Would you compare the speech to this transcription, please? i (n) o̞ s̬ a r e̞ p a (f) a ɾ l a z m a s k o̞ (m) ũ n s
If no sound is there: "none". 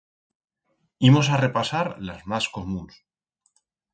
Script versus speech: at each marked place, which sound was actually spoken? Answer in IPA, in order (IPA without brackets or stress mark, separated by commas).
m, s, m